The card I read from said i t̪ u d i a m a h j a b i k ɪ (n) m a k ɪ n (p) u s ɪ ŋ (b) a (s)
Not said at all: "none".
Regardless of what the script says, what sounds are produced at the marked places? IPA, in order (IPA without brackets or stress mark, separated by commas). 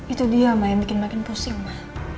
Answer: n, p, m, h